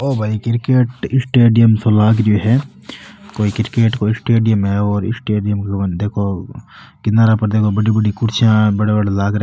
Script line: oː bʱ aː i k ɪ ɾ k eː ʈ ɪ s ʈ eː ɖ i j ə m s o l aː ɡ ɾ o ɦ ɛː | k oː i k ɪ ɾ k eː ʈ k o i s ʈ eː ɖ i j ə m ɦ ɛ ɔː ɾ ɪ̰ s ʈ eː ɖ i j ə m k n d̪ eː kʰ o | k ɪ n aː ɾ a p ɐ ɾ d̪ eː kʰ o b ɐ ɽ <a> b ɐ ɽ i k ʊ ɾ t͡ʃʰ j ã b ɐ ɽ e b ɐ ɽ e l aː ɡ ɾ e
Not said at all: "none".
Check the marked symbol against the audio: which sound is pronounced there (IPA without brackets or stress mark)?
i